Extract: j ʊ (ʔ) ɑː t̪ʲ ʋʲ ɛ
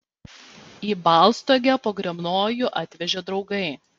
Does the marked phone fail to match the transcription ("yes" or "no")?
no